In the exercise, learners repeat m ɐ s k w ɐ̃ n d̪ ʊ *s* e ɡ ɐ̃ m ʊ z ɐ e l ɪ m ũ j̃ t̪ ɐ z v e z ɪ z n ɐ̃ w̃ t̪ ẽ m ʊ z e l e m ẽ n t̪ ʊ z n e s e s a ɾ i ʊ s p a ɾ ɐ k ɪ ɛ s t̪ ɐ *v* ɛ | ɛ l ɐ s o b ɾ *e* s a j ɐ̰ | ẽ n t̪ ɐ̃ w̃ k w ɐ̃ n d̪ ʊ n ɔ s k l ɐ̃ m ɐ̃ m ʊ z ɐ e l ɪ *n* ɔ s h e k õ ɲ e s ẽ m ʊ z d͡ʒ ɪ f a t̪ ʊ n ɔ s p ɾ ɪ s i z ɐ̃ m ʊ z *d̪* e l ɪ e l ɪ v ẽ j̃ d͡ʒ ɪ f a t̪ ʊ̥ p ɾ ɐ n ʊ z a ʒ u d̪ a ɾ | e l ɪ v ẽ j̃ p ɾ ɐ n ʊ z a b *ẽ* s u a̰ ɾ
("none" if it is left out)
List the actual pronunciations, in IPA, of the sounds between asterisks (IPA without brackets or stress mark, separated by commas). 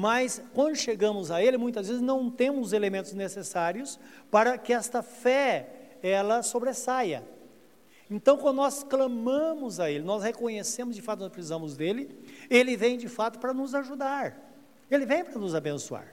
ʃ, f, e, n, d̪, ẽ